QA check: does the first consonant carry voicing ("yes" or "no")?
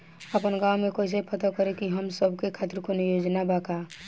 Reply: no